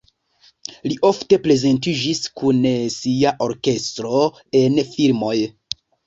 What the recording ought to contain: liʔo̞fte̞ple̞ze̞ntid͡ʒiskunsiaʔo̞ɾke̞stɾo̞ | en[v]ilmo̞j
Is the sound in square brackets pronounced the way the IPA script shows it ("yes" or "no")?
no